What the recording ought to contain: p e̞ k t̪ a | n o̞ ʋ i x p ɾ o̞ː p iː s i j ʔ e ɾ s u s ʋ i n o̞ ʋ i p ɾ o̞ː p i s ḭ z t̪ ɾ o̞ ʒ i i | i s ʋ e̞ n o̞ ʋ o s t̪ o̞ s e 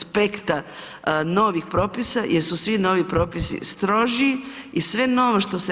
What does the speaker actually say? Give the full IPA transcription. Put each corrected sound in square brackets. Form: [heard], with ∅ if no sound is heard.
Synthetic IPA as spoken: p e̞ k t̪ a | n o̞ ʋ i x p ɾ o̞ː p [i] s [a] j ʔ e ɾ s u s ʋ i n o̞ ʋ i p ɾ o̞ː p i s ḭ [s] t̪ ɾ o̞ ʒ i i | i s ʋ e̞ n o̞ ʋ o [ʃ] t̪ o̞ s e